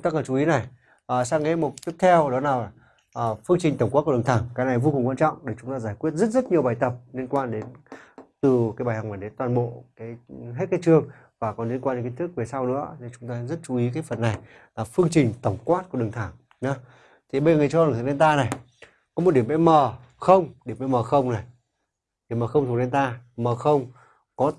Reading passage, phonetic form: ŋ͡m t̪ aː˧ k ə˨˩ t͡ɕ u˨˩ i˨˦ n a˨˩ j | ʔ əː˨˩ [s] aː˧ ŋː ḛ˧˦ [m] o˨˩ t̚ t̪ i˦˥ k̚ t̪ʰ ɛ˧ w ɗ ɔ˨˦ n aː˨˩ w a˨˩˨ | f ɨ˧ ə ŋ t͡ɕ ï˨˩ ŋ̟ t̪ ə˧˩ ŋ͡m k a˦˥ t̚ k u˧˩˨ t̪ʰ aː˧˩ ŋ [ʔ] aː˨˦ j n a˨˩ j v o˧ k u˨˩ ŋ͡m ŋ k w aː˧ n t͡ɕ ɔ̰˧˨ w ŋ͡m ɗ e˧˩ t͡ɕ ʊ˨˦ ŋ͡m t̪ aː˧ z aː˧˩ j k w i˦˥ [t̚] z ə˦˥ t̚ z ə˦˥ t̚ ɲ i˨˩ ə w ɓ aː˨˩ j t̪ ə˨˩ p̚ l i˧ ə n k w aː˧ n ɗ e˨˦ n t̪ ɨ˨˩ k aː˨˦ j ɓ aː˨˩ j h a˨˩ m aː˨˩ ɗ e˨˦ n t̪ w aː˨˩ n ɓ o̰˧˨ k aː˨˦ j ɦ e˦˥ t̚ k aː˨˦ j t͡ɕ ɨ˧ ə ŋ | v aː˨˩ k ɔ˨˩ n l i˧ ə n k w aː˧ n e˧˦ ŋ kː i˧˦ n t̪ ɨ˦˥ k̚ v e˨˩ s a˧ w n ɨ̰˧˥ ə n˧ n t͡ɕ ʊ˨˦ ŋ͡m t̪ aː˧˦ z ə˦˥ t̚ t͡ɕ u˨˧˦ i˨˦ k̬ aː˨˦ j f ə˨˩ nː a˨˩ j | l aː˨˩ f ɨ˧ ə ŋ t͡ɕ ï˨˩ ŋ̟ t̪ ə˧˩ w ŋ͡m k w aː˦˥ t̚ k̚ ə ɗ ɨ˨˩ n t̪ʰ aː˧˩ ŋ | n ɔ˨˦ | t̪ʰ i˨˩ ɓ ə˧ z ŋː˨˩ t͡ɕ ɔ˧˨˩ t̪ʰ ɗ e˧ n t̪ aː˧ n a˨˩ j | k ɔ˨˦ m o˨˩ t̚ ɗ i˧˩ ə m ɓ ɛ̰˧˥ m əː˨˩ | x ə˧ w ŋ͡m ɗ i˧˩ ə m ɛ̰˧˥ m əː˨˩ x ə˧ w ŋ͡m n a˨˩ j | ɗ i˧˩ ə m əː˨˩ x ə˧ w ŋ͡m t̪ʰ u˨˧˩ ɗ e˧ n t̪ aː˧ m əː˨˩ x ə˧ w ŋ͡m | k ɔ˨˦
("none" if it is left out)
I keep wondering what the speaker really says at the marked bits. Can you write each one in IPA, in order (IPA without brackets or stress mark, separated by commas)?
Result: s, m, k, t̚